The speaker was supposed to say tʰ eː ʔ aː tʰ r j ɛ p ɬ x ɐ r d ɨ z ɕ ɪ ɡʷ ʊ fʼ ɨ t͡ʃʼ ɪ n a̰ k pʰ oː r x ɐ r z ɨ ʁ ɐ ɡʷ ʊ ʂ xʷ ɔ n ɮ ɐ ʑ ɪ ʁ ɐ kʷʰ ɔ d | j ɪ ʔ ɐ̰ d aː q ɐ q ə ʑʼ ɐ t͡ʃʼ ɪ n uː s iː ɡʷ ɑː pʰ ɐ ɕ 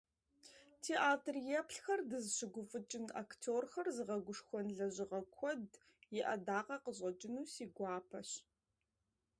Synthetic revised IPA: tʰ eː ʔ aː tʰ r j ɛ p ɬ x ɐ r d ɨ z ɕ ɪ ɡʷ ʊ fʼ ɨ t͡ʃʼ ɪ n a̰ k tʰ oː r x ɐ r z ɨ ʁ ɐ ɡʷ ʊ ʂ xʷ ɔ n ɮ ɐ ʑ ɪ ʁ ɐ kʷʰ ɔ d | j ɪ ʔ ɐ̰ d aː q ɐ q ə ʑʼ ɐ t͡ʃʼ ɪ n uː s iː ɡʷ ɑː pʰ ɐ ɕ